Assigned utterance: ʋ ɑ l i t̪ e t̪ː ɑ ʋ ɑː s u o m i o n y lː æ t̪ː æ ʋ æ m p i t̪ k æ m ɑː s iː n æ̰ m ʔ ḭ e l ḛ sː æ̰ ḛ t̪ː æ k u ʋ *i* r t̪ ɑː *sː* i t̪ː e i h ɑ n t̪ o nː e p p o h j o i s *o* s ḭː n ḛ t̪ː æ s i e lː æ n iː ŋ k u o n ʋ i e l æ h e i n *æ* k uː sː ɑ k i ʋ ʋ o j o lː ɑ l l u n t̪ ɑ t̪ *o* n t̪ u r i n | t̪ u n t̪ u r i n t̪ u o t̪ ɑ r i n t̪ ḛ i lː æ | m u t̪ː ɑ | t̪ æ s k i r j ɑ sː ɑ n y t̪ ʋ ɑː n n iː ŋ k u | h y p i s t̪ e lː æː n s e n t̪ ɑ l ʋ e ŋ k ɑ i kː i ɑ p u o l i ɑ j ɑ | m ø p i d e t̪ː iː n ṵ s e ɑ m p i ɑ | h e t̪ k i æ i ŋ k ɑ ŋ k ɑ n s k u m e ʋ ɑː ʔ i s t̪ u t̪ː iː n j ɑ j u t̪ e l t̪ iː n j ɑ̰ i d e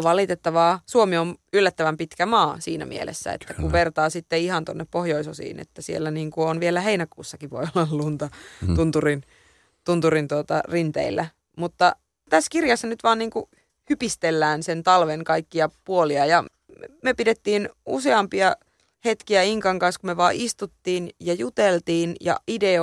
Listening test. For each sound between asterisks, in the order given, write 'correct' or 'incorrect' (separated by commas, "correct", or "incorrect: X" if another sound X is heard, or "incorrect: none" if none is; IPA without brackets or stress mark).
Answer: incorrect: e, incorrect: s, correct, correct, incorrect: u